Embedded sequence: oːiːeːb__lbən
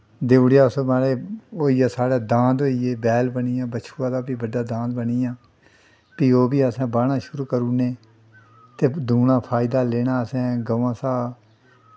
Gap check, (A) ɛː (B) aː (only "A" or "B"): A